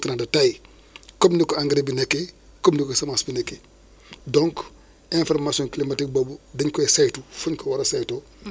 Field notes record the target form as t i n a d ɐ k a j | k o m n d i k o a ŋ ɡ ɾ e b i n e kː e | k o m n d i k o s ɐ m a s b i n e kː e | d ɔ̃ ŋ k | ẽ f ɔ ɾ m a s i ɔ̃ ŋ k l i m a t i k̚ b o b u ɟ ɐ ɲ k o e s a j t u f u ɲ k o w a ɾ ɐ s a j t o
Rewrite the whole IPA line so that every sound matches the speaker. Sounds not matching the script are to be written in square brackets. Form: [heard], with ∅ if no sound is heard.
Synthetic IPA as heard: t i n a d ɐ [t] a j | k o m n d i k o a ŋ ɡ ɾ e b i n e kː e | k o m n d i k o s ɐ m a s b i n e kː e | d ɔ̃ ŋ k | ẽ f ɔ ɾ m a s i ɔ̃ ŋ k l i m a t i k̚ b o b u [d] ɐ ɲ k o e s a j t u f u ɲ k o w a ɾ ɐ s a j t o